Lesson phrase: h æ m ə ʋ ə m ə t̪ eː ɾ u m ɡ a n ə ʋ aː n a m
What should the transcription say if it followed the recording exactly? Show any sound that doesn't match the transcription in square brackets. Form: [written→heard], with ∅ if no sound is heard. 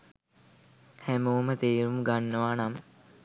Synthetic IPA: h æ m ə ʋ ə m ə t̪ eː ɾ u m ɡ a [n→nː] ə ʋ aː n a m